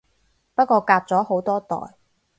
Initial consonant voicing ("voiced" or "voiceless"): voiceless